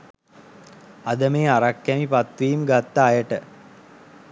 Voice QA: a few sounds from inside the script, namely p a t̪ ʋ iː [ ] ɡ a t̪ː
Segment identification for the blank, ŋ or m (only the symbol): m